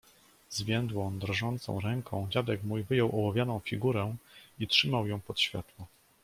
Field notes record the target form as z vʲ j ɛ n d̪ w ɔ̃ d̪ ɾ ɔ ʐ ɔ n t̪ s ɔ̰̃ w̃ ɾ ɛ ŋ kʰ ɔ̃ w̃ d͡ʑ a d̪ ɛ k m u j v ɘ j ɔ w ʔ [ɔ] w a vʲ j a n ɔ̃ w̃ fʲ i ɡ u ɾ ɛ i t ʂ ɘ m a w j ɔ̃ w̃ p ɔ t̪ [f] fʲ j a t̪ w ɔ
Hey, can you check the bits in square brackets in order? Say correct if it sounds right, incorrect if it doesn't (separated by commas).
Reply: correct, incorrect